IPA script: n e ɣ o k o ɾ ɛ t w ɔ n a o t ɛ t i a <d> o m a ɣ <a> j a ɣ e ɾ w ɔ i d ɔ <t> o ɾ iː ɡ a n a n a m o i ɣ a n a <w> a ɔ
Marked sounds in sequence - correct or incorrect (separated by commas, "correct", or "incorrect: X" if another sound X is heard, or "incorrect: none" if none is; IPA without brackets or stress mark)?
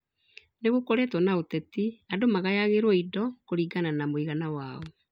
correct, correct, incorrect: k, correct